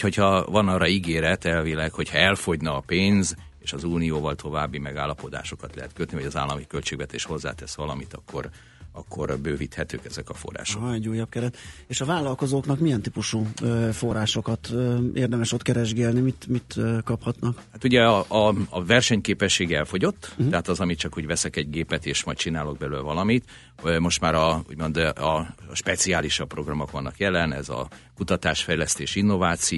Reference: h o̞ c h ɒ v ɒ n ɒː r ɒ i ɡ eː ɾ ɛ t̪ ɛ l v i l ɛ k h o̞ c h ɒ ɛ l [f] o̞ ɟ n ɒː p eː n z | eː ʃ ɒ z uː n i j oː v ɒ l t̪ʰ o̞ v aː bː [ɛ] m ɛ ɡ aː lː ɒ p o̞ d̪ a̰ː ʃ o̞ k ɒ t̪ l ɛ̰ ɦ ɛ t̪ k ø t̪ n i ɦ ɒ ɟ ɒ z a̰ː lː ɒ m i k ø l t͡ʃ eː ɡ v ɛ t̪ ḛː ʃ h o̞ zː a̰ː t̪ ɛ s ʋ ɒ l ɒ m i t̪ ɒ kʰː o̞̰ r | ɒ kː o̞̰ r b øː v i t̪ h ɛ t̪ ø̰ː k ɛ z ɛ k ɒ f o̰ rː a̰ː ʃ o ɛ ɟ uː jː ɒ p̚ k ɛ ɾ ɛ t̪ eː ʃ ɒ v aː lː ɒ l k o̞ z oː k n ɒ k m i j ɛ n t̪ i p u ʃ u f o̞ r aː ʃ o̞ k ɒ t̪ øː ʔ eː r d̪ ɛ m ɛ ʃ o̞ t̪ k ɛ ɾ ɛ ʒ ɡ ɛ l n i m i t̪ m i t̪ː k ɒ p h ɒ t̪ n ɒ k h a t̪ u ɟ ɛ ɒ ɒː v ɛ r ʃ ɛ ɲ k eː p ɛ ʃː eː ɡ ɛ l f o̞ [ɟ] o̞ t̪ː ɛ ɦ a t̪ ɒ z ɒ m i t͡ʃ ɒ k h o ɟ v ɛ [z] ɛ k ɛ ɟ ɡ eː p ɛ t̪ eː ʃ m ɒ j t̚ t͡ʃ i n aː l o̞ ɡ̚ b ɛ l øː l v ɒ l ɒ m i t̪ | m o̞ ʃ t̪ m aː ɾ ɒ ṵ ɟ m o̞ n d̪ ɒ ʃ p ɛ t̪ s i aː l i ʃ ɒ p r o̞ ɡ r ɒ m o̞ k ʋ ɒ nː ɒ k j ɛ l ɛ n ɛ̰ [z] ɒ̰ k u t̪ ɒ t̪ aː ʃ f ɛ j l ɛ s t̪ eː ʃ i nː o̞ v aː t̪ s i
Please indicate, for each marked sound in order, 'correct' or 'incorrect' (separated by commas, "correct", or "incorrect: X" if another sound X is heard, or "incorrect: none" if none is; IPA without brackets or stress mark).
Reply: correct, incorrect: i, correct, incorrect: s, correct